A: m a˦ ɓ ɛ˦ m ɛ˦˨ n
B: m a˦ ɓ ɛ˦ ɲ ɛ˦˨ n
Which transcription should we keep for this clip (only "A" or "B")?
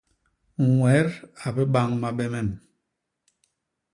A